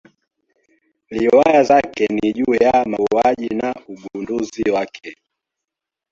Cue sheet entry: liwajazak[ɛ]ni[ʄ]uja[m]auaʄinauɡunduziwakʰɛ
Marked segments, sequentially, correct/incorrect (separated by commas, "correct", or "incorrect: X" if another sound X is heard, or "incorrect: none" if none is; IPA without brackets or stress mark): correct, correct, correct